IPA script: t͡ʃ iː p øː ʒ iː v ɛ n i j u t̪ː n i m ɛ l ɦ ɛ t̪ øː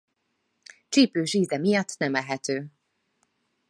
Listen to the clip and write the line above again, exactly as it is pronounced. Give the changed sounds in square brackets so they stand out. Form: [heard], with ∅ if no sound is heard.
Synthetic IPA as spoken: t͡ʃ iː p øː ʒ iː [z] ɛ [m] i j [ɒ] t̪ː n [ɛ] m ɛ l ɦ ɛ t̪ øː